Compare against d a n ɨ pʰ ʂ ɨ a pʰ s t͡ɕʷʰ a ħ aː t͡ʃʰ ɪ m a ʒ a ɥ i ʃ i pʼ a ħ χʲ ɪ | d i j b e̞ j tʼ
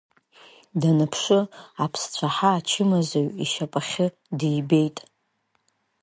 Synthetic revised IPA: d a n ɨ pʰ ʂ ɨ a pʰ s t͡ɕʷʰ a ħ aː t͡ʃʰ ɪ m a z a ɥ i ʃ a pʼ a χʲ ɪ | d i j b e̞ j tʼ